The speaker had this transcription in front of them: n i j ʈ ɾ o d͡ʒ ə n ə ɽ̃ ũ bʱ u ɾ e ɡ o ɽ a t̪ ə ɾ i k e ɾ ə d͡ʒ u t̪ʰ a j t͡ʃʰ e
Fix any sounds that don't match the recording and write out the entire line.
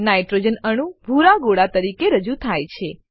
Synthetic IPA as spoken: n a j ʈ ɾ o d͡ʒ ə n ə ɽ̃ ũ bʱ u ɾ a ɡ o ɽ a t̪ ə ɾ i k e ɾ ə d͡ʒ u t̪ʰ a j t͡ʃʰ e